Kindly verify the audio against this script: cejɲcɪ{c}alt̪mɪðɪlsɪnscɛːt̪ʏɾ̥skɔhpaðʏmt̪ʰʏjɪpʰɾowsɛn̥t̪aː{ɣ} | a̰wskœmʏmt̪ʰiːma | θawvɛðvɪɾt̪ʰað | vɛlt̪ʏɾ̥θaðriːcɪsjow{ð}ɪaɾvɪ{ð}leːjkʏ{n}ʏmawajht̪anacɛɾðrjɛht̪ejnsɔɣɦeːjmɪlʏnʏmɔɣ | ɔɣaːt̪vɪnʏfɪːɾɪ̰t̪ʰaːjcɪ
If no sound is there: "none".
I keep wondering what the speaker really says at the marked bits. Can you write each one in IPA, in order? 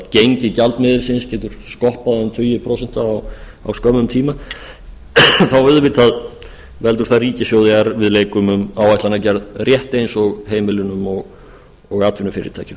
c, w, ð, ð, m

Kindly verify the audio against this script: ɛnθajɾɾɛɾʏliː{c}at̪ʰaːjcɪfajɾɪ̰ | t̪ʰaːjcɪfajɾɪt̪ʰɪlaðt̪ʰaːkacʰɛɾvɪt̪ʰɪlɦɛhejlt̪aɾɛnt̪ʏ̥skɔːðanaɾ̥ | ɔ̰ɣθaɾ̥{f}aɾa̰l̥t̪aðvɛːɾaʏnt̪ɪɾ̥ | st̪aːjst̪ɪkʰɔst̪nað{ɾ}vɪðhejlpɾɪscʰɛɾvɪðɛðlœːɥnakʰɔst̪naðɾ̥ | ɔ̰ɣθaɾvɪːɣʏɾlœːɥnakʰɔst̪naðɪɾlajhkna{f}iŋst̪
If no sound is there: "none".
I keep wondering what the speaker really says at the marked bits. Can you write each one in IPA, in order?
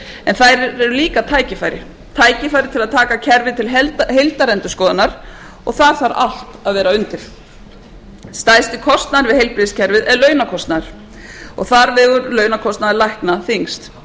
k, θ, ɾ, θ

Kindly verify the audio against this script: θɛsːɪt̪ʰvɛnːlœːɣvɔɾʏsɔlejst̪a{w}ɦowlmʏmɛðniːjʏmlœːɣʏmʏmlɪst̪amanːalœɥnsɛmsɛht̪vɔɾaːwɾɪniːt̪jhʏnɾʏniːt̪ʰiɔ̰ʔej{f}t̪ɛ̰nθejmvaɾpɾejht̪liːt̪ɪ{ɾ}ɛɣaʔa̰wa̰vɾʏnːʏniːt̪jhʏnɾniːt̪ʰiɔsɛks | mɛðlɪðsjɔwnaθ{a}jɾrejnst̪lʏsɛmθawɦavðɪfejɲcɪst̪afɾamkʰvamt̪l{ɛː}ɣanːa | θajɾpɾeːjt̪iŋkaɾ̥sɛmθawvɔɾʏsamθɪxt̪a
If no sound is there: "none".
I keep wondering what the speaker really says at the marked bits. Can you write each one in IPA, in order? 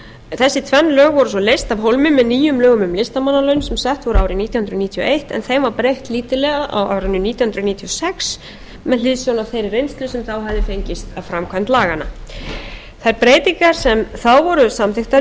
v, h, l, e, aː

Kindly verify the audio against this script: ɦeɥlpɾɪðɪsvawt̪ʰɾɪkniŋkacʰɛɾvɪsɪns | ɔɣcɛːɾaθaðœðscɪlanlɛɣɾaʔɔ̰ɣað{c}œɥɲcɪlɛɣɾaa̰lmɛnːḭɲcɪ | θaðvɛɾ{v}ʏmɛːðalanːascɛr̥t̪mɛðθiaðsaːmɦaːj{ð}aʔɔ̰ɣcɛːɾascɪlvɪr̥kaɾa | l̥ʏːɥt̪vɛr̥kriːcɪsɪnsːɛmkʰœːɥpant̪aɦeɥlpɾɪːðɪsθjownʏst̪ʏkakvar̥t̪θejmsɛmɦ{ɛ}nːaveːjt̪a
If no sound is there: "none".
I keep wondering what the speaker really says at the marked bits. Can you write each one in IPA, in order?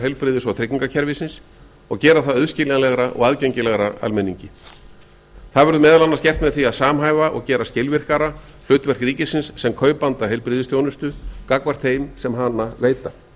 c, ð, v, a

